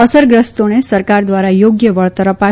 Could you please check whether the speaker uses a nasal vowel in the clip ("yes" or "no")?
no